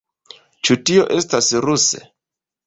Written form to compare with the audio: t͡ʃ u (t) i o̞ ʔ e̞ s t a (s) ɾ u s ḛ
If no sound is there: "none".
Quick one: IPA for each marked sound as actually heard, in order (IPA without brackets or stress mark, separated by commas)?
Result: t, s